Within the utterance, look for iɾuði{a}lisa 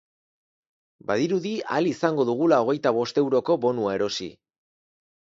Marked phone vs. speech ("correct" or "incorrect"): correct